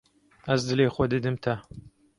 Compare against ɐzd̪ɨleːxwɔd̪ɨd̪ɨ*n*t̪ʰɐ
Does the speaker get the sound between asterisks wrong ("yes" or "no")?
yes